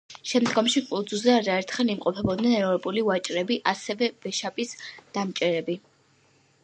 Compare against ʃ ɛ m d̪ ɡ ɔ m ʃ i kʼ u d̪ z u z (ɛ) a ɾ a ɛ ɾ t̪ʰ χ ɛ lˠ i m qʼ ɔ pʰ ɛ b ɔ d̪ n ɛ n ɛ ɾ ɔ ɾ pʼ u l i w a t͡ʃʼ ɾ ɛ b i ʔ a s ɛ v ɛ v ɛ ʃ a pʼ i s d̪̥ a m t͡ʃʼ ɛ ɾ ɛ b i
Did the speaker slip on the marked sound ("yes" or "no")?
no